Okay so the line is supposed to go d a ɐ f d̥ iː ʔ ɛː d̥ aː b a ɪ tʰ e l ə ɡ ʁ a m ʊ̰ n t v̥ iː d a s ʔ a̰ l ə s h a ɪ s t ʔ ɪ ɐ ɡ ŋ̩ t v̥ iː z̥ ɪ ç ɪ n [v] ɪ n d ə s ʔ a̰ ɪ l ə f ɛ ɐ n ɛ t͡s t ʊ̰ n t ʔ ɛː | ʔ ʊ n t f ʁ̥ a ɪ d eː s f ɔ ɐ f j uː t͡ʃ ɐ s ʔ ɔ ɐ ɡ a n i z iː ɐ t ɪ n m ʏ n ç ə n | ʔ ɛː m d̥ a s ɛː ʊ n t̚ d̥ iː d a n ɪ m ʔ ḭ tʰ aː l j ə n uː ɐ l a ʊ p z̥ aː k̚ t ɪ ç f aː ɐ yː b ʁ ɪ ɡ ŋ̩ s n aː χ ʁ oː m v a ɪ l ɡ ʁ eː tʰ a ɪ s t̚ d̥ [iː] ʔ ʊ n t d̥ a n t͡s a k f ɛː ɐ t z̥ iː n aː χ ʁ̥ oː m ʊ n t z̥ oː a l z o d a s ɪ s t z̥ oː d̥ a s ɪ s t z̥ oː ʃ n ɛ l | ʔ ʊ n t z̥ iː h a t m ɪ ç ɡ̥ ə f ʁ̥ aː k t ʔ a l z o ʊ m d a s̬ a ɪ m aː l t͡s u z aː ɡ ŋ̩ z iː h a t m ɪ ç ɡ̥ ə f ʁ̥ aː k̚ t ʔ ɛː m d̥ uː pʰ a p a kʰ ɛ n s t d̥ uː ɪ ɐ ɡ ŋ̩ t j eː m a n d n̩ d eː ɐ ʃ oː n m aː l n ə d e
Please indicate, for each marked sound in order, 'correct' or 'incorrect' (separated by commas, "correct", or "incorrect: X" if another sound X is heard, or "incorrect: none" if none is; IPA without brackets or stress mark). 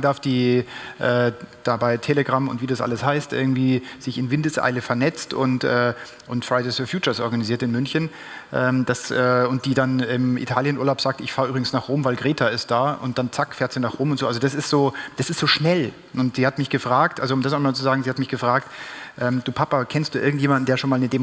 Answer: correct, incorrect: aː